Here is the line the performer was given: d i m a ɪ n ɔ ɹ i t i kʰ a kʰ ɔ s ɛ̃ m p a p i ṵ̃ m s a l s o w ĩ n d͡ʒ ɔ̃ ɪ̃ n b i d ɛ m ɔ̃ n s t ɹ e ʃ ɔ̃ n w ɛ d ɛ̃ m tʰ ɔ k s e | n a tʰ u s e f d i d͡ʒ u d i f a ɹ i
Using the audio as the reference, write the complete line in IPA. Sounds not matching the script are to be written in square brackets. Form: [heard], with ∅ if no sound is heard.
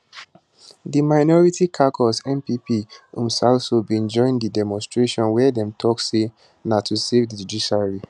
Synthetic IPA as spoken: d i m a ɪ n ɔ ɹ i t i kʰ a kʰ ɔ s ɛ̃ m p [i] p i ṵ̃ m s a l s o [b] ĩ n d͡ʒ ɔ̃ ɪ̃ n [d] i d ɛ m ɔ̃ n s t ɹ e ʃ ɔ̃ n w ɛ d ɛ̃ m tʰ ɔ k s e | n a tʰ u s e [v] d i d͡ʒ u d i [ʃ] a ɹ i